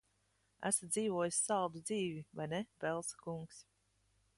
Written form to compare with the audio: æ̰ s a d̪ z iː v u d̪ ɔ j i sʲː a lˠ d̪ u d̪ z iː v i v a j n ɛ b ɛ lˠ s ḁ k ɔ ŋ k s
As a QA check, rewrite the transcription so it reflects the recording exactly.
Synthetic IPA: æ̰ s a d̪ z iː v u ɔ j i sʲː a lˠ d̪ u d̪ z iː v i v a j n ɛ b ɛ lˠ s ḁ k u ŋ k s